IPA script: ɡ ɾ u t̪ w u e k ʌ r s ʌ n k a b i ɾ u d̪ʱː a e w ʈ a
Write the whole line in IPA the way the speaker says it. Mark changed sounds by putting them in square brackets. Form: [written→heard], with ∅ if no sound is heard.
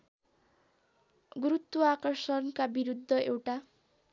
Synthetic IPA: ɡ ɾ u t̪ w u [e→a] k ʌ r s ʌ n k a b i ɾ u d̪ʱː [a→ʌ] e w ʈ a